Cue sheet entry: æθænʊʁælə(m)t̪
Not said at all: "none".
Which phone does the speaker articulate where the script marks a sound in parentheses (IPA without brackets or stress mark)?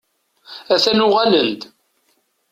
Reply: n